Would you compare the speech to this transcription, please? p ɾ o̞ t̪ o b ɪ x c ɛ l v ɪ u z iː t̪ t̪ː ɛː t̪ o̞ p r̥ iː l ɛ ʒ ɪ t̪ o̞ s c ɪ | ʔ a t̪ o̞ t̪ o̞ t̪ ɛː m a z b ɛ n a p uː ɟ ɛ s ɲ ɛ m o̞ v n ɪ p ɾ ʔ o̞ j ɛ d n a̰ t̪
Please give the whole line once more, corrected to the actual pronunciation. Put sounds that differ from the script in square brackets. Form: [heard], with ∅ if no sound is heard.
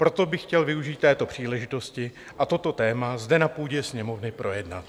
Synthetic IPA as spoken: p ɾ o̞ t̪ o b ɪ x c ɛ l v ɪ u [ʒ] iː t̪ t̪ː ɛː t̪ o̞ p r̥ iː l ɛ ʒ ɪ t̪ o̞ s c ɪ | ʔ a t̪ o̞ t̪ o̞ t̪ ɛː m a z [d] ɛ n a p uː ɟ ɛ s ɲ ɛ m o̞ v n ɪ p ɾ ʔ o̞ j ɛ d n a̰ t̪